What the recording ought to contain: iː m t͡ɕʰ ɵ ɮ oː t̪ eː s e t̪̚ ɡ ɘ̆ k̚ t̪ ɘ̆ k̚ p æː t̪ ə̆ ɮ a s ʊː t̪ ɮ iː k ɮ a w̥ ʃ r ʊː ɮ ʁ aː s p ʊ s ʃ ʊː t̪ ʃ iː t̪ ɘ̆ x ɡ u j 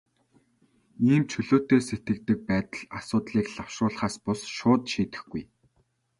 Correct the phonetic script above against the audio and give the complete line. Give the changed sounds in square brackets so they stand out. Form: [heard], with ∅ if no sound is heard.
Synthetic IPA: iː m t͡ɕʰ ɵ ɮ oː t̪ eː s e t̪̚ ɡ ɘ̆ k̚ t̪ ɘ̆ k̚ p æː t̪ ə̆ ɮ a s ʊː t̪ ɮ iː k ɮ a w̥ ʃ r ʊː ɮ [χ] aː s p ʊ s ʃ ʊː t̪ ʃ iː t̪ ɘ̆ x ɡ u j